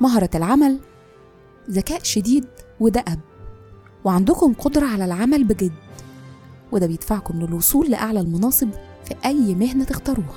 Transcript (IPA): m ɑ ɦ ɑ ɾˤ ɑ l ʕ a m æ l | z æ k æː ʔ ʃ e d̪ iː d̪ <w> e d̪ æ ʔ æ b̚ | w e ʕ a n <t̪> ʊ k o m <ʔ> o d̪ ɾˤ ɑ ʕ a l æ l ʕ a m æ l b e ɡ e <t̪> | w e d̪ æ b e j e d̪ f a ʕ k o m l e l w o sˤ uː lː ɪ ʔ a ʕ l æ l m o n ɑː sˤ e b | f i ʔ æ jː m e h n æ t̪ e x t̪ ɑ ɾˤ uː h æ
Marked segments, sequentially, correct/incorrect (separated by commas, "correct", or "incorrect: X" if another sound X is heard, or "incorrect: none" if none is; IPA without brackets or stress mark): correct, incorrect: d̪, incorrect: q, incorrect: d̪